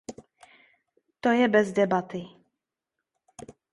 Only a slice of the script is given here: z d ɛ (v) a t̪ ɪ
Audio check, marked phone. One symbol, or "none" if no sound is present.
b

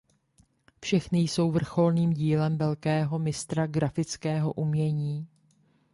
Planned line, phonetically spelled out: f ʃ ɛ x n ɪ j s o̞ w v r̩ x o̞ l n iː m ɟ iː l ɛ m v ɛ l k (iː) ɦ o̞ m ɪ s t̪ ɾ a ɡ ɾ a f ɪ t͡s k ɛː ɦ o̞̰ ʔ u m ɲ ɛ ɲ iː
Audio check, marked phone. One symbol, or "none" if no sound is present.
ɛː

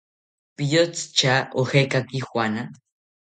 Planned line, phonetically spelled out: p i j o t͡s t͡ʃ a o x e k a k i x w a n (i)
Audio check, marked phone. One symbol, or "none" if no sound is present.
a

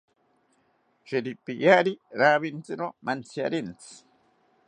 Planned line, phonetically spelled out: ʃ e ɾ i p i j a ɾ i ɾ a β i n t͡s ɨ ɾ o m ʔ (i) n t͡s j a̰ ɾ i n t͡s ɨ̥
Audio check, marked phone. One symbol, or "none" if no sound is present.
a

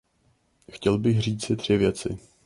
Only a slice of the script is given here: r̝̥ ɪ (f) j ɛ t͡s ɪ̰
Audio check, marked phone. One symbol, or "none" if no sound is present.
v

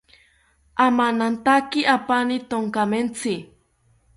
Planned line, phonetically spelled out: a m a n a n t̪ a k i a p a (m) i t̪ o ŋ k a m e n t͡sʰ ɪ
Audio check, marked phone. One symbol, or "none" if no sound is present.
n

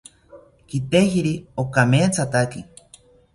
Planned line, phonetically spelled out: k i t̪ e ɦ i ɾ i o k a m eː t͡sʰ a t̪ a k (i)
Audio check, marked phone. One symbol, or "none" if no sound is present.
i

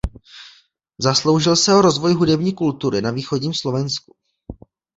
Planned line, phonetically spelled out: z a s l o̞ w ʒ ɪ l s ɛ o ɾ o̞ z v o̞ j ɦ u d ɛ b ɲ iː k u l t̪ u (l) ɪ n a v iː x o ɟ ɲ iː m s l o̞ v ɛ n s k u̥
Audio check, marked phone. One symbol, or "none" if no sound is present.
ɾ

